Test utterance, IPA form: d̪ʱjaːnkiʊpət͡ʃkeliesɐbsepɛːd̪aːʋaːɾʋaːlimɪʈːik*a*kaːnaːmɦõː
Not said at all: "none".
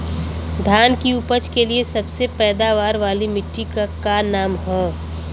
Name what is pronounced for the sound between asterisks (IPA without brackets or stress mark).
a